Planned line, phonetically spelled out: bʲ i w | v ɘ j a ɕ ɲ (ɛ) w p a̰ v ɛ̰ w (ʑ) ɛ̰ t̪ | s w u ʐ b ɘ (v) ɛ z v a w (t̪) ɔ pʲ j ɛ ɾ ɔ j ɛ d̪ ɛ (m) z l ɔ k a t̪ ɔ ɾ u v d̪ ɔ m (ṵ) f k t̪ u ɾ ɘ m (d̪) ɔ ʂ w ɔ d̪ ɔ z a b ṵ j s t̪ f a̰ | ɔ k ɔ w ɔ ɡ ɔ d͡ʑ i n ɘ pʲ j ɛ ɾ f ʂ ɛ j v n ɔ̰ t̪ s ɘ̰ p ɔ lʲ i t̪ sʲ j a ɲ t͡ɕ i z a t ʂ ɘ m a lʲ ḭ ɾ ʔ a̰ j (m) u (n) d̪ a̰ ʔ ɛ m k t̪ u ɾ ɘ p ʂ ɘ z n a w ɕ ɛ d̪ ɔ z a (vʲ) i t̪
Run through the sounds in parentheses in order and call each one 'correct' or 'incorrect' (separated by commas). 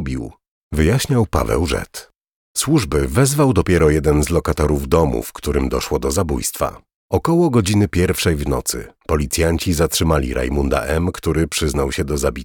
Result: incorrect, incorrect, correct, incorrect, incorrect, correct, correct, correct, correct, incorrect